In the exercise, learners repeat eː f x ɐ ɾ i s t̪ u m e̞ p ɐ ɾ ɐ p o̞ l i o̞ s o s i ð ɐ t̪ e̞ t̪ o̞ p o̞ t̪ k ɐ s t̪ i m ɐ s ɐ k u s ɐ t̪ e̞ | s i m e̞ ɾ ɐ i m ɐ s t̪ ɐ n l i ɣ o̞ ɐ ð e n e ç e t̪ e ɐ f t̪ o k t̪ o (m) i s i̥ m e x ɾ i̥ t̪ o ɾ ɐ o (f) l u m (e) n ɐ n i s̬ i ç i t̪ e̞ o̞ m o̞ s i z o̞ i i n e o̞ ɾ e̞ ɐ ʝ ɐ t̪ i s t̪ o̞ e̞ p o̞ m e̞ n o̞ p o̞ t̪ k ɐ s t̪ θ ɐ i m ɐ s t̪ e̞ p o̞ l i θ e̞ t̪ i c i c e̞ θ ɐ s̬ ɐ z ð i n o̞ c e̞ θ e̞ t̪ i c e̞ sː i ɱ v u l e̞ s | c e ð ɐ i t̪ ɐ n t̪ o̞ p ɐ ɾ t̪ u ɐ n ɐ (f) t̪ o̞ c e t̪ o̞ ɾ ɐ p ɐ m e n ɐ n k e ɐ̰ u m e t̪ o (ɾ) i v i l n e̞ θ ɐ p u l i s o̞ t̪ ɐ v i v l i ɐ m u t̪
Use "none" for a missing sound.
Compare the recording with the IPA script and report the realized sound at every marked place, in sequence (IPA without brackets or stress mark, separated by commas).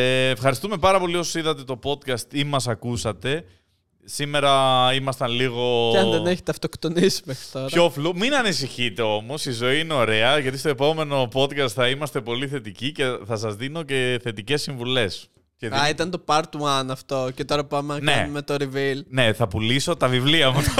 n, f, i, f, ɾ